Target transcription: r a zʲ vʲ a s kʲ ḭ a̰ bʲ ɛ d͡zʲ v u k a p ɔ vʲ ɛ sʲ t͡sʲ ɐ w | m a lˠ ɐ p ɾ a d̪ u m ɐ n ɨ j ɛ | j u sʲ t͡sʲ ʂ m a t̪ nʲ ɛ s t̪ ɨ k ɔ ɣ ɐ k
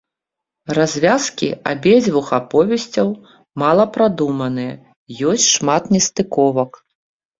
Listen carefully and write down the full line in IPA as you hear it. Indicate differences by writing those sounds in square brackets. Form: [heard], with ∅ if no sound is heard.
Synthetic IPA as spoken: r a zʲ vʲ a s kʲ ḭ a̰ bʲ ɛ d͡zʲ v u [x] a p ɔ vʲ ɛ sʲ t͡sʲ ɐ w | m a lˠ ɐ p ɾ a d̪ u m ɐ n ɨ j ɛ | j [ɔ] sʲ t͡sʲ ʂ m a t̪ nʲ ɛ s t̪ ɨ k ɔ [v] ɐ k